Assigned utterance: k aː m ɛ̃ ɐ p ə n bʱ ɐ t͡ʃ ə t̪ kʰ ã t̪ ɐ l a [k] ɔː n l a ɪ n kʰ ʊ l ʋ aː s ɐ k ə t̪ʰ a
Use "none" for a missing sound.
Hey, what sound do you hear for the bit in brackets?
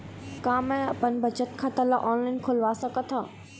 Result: ʔ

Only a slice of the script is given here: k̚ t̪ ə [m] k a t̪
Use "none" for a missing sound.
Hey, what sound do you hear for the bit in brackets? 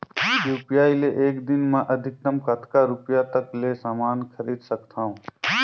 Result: m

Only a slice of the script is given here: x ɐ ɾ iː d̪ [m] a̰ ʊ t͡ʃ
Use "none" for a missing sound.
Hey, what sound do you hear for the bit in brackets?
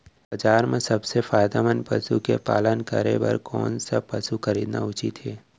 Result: n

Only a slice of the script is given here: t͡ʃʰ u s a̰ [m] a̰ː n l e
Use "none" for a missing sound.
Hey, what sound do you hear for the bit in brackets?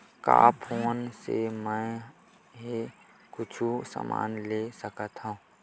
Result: m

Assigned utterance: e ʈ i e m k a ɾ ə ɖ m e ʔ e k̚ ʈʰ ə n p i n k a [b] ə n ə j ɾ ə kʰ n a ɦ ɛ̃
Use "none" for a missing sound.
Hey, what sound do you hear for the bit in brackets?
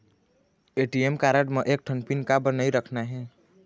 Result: b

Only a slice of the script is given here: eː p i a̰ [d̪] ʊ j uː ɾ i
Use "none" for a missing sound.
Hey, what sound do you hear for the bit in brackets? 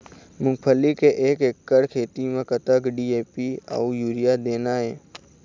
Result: none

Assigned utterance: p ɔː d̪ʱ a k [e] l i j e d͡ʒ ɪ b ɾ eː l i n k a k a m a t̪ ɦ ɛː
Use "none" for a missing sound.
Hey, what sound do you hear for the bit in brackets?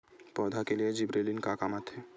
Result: e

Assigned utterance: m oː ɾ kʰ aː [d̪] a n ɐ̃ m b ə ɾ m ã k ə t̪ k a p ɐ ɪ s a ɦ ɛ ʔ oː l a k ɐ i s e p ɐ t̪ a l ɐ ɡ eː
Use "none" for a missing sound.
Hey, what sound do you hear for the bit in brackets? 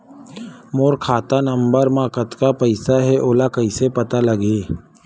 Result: t̪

